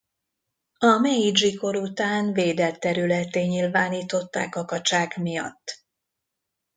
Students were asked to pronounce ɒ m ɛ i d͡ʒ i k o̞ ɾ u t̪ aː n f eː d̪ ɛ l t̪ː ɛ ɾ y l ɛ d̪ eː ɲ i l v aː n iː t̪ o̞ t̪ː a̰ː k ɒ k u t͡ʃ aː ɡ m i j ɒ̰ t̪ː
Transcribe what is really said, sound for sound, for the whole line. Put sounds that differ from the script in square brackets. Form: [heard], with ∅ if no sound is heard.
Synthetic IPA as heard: ɒ m ɛ i d͡ʒ i k o̞ ɾ u t̪ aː n [v] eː d̪ ɛ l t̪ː ɛ ɾ y l ɛ [t̪] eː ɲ i l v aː n iː t̪ o̞ t̪ː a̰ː k ɒ k [ɒ] t͡ʃ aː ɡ m i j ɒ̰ t̪ː